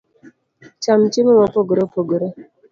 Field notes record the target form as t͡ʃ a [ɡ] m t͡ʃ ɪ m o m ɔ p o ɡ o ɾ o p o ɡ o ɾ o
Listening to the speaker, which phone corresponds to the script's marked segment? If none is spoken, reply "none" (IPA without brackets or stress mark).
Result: none